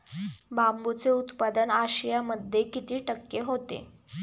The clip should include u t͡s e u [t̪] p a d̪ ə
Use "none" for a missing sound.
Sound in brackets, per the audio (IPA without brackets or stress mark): t̪